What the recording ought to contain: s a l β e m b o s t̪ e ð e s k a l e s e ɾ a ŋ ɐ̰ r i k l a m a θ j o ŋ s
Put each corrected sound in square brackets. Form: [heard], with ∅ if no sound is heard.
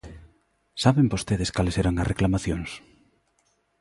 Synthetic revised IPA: s a [∅] β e m b o s t̪ e ð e s k a l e s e ɾ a ŋ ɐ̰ r [e] k l a m a θ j o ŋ s